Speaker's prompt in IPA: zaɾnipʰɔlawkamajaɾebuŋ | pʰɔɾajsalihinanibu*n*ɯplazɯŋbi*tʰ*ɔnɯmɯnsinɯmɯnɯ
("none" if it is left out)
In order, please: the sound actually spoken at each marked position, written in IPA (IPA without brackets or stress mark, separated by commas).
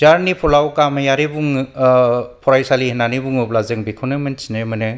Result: ŋ, kʰ